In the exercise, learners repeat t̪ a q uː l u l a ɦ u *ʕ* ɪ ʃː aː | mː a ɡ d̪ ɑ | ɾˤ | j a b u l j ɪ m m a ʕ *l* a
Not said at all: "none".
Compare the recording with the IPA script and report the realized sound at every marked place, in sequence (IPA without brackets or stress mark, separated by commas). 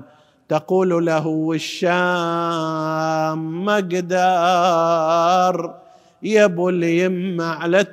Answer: none, l